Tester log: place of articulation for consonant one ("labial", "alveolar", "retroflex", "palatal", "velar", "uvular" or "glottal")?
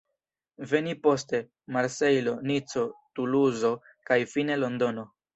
labial